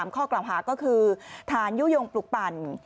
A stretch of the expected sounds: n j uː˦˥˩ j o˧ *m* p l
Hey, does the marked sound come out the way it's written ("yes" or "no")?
no